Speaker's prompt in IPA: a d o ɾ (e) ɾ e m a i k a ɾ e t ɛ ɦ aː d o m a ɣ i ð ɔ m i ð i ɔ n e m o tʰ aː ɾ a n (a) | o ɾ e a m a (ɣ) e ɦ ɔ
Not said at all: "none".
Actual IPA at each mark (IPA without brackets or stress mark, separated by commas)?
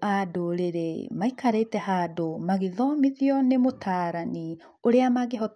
e, i, ɣ